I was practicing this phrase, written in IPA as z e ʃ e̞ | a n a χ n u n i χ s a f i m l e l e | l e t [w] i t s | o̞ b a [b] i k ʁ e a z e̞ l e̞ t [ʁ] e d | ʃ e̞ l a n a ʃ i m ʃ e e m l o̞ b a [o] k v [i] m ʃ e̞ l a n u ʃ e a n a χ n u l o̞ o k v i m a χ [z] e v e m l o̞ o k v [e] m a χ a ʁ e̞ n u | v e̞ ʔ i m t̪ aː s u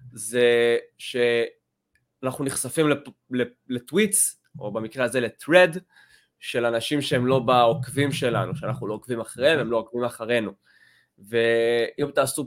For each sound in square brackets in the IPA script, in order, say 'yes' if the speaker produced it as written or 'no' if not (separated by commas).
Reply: yes, no, yes, yes, yes, no, no